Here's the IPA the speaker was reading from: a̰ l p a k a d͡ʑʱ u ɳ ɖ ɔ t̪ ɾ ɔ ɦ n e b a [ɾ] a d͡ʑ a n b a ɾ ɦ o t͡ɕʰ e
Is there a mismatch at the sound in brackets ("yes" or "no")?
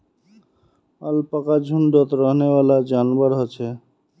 yes